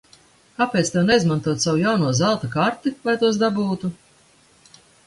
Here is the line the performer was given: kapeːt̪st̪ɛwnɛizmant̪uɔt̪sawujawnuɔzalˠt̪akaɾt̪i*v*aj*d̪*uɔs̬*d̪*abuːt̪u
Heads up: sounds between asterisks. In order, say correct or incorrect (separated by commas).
correct, incorrect, correct